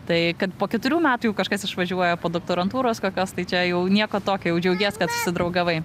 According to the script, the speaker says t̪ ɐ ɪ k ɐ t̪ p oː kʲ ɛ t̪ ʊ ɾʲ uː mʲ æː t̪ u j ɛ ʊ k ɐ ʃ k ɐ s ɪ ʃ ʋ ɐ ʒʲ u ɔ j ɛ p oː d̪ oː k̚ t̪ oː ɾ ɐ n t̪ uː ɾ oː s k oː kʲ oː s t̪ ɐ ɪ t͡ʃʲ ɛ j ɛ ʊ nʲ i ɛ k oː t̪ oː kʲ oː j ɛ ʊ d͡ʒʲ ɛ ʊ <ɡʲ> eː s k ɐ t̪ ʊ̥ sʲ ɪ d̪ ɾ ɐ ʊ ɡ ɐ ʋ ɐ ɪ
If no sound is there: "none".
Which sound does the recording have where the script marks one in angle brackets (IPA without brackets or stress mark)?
ɡʲ